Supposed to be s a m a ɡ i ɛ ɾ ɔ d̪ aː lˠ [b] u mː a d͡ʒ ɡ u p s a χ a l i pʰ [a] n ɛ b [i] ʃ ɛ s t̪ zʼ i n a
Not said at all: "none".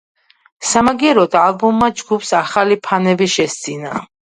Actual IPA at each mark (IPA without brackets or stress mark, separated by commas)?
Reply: b, a, i